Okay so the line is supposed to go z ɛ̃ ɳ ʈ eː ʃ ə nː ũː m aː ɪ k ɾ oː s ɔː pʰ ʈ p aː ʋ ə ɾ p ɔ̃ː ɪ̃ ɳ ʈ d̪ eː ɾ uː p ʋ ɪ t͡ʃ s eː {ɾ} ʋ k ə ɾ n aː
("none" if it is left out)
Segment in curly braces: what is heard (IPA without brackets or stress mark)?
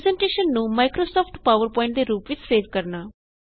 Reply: none